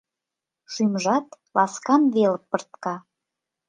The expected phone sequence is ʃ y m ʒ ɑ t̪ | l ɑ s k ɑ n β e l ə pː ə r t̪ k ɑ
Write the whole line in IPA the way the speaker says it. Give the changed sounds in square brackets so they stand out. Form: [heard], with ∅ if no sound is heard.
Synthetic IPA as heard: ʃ y m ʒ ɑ t̪ | l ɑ s k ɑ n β e l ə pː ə r t̪ k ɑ